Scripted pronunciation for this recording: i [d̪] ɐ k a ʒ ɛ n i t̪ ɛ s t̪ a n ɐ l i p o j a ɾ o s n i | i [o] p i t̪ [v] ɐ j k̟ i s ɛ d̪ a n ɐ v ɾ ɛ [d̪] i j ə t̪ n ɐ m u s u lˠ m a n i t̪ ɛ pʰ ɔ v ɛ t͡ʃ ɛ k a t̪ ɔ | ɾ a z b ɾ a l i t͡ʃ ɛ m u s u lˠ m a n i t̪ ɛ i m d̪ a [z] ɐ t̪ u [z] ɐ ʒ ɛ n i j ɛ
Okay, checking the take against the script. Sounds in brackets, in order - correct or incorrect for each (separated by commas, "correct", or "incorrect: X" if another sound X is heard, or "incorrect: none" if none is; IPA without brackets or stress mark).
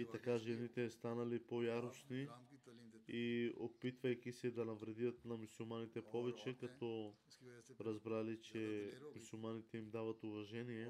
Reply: incorrect: t̪, correct, correct, correct, incorrect: v, incorrect: v